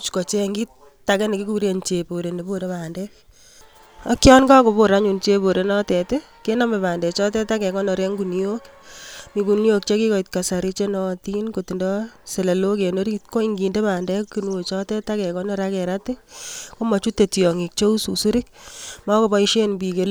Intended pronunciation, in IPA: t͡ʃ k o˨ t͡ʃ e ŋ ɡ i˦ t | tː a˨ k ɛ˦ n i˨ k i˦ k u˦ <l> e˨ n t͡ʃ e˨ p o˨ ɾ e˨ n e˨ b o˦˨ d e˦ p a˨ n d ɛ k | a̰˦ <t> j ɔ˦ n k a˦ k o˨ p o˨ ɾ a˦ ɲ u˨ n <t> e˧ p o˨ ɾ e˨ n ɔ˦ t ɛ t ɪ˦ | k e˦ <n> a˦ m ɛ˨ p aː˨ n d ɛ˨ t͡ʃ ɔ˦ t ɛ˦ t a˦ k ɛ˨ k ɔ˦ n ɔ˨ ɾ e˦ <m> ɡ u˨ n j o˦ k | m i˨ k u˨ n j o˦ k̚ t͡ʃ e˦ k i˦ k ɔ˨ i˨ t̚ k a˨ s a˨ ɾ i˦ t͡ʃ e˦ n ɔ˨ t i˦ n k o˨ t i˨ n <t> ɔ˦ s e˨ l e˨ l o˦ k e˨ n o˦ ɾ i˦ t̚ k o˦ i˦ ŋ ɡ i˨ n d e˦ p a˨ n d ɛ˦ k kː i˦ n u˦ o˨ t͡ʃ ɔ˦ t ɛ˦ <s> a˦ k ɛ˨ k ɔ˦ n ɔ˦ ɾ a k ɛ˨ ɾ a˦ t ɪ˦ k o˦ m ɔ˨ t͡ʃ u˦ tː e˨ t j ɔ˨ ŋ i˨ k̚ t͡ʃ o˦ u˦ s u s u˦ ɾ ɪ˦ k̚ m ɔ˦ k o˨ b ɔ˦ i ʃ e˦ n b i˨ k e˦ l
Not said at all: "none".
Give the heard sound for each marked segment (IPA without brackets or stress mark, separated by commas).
ɾ, k, t͡ʃ, n, ŋ, d, t